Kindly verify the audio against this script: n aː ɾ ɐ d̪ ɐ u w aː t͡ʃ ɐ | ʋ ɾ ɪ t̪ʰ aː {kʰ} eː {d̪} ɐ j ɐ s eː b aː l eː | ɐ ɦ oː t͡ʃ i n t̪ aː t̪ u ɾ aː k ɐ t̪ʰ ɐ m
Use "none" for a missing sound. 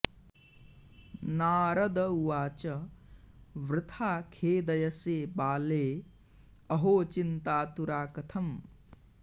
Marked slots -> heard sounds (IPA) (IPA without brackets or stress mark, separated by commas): kʰ, d̪